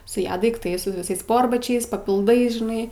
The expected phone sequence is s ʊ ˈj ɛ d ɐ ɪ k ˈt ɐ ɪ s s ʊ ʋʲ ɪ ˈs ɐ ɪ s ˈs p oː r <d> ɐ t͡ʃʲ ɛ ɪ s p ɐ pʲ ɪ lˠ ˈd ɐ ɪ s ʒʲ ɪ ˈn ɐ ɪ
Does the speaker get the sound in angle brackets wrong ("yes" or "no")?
yes